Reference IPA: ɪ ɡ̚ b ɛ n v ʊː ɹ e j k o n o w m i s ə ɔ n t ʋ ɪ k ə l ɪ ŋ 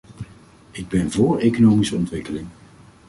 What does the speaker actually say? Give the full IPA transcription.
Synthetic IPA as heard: ɪ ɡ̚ b ɛ n v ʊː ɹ e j k o n o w m i s ə ɔ n t ʋ ɪ k ə l ɪ ŋ